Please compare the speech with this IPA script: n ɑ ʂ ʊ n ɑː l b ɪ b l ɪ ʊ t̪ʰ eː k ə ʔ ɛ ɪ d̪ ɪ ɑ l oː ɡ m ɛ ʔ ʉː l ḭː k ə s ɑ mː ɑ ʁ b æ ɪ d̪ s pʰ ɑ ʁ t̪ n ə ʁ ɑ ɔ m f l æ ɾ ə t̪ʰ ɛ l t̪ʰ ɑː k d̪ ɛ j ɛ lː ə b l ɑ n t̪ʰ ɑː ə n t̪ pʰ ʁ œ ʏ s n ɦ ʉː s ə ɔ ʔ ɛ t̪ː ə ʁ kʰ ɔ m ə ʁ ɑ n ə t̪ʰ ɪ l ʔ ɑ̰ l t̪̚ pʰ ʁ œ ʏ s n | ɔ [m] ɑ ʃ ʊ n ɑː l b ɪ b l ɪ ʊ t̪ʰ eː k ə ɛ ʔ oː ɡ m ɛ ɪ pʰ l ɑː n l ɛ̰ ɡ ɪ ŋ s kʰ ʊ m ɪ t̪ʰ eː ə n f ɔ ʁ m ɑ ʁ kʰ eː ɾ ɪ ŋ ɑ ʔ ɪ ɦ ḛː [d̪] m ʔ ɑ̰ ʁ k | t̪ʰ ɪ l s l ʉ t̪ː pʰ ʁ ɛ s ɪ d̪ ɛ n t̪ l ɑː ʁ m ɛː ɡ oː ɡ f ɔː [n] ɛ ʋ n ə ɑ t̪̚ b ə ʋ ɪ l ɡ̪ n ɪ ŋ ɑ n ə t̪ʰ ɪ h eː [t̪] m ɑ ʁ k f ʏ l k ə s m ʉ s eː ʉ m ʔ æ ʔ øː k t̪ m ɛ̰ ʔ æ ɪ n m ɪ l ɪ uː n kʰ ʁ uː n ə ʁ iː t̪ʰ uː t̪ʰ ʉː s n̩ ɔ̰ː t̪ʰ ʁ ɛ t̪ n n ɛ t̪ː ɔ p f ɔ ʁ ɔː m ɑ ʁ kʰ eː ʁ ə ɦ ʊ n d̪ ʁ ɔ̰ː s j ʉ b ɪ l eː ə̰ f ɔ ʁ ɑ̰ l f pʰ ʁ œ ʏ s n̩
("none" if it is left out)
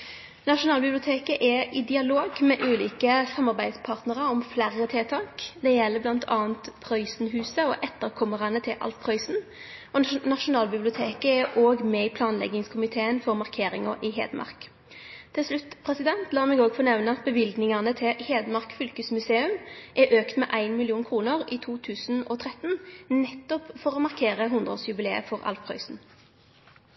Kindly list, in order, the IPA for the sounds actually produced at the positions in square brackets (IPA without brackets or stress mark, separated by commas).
n, d̪, n, d̪